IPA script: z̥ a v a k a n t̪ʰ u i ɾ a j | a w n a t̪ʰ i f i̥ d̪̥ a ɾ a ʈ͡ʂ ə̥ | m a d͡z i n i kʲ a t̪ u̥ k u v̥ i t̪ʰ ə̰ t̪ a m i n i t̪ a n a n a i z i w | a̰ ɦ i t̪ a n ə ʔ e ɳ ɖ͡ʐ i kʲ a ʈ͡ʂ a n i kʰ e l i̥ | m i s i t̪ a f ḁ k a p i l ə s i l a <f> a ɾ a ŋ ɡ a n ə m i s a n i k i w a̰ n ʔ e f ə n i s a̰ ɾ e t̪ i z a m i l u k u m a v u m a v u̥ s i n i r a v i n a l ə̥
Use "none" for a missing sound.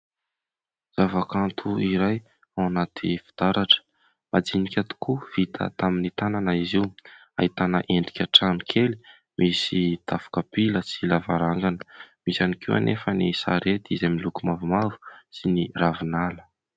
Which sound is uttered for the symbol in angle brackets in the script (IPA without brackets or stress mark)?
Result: v